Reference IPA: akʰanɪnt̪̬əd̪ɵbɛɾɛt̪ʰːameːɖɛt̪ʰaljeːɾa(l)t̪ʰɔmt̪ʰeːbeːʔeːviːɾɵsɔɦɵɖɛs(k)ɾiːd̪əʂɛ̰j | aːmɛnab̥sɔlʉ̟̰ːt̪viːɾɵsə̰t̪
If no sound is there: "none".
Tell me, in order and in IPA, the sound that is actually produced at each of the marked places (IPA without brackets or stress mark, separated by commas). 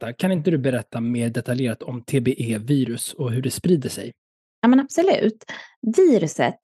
none, p